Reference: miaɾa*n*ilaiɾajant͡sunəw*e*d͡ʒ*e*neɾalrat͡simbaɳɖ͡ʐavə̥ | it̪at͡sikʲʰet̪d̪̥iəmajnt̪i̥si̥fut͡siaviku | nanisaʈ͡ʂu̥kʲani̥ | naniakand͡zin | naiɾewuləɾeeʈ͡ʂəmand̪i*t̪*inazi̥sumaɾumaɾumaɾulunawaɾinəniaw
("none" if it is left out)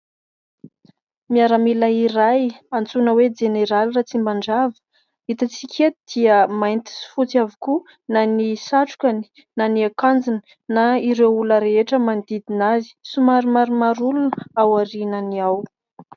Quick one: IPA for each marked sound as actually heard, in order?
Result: m, e, e, d̪

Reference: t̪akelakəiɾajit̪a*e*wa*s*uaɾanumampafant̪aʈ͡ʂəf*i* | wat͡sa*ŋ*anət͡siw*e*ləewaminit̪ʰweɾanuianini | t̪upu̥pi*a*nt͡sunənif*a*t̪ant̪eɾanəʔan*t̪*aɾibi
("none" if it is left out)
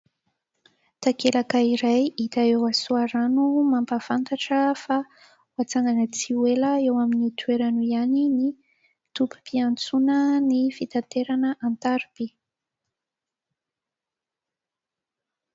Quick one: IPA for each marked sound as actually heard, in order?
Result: e, s, a, ŋ, e, a, i, t̪

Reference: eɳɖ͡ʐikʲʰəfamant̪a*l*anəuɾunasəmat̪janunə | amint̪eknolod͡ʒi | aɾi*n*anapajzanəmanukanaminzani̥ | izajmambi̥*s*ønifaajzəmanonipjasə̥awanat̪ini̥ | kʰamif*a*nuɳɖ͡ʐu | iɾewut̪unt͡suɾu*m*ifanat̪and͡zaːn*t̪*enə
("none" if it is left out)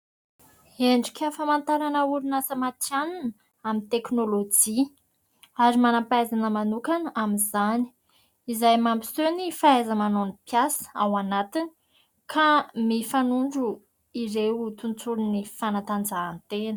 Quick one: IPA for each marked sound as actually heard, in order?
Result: ɾ, m, s, a, n, t̪

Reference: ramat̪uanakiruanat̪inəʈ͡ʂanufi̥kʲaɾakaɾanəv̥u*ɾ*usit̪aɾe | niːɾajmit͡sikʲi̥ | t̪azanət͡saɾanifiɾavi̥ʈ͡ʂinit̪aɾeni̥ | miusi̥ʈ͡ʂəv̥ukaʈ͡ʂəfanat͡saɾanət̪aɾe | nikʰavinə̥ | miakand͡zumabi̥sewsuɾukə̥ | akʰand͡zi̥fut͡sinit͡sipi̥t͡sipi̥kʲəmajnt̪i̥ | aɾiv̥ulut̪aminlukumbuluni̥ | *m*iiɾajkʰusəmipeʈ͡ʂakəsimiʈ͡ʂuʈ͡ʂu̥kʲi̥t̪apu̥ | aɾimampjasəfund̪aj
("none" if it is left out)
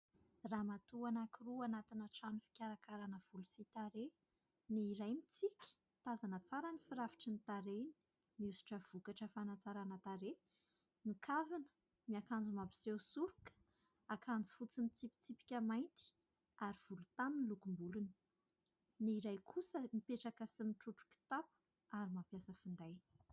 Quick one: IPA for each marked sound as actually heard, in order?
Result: l, n

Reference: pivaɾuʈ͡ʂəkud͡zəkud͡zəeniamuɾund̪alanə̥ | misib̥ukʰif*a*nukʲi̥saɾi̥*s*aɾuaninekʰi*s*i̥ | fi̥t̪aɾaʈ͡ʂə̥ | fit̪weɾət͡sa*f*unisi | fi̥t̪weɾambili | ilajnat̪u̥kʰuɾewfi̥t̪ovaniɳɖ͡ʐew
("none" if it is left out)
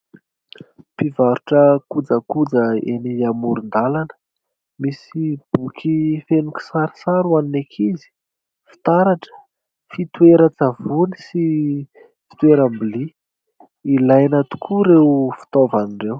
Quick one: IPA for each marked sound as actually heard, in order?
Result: e, s, z, v

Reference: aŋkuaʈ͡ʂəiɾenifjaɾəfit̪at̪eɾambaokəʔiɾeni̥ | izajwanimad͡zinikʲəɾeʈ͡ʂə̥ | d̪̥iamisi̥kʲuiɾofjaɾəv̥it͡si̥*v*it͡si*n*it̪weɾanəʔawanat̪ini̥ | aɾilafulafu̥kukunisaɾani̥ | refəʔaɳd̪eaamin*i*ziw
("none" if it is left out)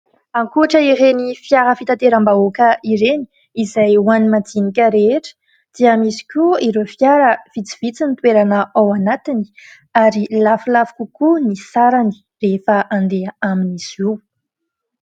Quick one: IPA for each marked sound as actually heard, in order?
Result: v, n, i

